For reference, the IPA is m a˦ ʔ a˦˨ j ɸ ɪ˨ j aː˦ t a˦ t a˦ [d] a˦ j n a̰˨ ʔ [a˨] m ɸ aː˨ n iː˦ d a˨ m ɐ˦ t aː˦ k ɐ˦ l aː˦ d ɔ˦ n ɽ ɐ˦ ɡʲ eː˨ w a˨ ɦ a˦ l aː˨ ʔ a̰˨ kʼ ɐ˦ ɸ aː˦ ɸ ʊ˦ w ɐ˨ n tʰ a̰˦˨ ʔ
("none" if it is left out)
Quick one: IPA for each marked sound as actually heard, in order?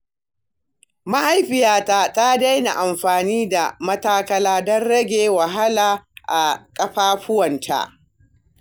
d, a˨

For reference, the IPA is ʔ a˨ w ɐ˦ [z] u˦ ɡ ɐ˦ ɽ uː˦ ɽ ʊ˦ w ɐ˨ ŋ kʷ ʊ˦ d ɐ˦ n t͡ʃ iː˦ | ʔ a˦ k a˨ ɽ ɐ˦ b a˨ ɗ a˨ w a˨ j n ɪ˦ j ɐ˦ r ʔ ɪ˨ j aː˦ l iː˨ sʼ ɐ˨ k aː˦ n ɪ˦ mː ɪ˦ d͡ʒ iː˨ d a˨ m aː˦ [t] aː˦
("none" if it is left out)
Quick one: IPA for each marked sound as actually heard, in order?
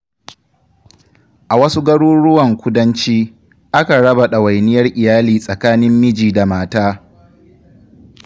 s, t

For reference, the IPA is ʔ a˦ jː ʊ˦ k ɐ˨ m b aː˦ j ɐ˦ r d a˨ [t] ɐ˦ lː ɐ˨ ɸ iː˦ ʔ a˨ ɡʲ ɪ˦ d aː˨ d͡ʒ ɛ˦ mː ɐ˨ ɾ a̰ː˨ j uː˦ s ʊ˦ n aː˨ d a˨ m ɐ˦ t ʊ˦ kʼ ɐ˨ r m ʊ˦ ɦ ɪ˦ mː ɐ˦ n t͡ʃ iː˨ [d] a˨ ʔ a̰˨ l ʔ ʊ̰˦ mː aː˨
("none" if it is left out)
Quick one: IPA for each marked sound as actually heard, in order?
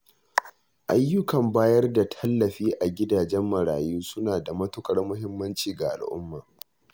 tʰ, ɡ

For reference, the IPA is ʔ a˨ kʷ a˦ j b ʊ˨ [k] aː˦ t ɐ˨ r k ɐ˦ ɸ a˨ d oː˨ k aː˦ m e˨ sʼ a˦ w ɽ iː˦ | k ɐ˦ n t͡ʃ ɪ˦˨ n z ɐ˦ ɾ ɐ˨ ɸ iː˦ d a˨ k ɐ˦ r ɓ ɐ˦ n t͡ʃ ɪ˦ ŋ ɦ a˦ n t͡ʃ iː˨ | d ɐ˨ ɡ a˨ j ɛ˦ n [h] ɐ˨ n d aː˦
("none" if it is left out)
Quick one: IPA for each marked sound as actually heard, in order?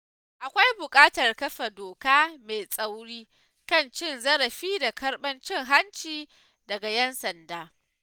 kʼ, s

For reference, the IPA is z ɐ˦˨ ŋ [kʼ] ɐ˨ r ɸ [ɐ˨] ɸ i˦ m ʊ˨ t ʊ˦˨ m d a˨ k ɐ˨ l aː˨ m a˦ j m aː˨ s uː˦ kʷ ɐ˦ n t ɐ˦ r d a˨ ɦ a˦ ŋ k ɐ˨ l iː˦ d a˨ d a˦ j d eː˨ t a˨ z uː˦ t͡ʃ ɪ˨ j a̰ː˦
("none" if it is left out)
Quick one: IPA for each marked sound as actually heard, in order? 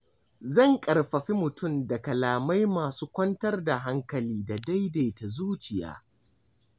kʼ, ɐ˨

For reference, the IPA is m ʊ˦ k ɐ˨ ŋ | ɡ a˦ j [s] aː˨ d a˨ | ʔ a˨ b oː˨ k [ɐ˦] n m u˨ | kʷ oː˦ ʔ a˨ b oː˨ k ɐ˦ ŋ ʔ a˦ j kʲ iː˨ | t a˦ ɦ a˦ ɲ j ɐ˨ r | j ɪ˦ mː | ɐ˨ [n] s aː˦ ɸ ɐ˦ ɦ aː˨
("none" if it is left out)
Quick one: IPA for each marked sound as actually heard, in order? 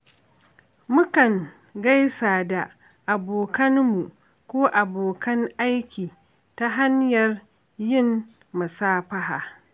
s, ɐ˦, none

